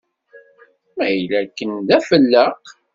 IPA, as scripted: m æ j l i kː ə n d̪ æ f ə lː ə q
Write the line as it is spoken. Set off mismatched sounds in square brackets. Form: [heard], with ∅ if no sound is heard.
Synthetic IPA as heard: m æ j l [æ] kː ə n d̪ æ f ə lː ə q

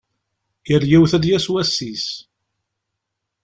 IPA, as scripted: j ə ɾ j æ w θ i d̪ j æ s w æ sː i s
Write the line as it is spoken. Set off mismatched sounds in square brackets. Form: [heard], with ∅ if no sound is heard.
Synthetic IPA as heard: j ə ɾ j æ w θ [æ] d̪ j æ s w æ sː i s

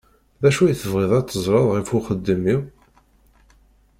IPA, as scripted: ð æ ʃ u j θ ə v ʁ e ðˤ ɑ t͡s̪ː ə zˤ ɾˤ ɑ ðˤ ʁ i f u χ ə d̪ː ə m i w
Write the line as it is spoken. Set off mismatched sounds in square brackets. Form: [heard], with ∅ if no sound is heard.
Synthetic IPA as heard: ð æ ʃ u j θ ə v ʁ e ðˤ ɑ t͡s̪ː ə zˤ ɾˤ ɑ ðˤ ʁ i f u χ ə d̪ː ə m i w

